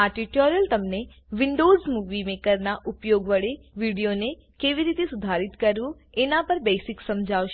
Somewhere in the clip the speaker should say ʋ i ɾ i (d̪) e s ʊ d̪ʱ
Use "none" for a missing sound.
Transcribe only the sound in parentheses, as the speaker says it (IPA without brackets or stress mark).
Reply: t̪